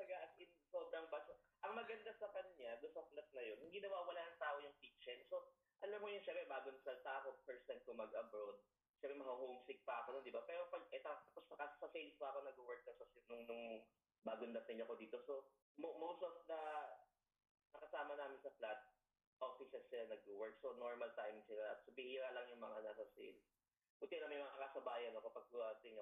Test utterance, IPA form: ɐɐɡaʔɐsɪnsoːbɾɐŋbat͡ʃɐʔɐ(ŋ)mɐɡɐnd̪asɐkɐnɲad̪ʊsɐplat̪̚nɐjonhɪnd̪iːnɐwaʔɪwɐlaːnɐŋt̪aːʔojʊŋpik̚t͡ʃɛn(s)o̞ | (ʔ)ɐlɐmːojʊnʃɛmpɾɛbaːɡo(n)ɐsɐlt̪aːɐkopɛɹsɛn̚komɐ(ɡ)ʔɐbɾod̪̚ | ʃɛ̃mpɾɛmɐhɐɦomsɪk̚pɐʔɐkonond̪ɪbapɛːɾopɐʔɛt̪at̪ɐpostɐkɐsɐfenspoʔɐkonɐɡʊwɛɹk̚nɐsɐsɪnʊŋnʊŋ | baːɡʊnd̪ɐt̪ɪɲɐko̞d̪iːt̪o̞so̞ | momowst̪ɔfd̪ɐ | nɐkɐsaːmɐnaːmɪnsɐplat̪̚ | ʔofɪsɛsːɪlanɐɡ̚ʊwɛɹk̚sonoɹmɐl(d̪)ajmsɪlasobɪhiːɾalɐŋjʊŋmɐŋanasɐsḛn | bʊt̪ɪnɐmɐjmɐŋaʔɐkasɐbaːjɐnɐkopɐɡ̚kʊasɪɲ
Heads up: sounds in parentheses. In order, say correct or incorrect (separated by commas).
correct, correct, correct, correct, correct, incorrect